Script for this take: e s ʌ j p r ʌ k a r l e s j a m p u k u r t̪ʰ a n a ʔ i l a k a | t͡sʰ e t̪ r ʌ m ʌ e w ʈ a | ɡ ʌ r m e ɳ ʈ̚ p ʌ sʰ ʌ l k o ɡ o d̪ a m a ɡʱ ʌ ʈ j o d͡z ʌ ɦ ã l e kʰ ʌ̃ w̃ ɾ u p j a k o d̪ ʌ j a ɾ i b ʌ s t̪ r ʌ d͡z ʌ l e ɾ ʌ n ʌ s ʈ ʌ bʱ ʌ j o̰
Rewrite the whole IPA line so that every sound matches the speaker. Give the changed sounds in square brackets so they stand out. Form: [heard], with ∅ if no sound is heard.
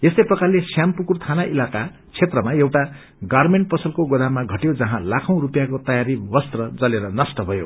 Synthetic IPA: e s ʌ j p r ʌ k a r l e s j a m p u k u r t̪ʰ a n a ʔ i l a k a | t͡sʰ e t̪ r ʌ m [a] e w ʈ a | ɡ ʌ r m e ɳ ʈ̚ p ʌ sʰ ʌ l k o ɡ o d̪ a m a ɡʱ ʌ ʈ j o d͡z ʌ ɦ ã l [a] kʰ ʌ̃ w̃ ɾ u p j a k o [t̪] ʌ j a ɾ i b ʌ s t̪ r ʌ d͡z ʌ l e ɾ ʌ n ʌ s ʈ ʌ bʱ ʌ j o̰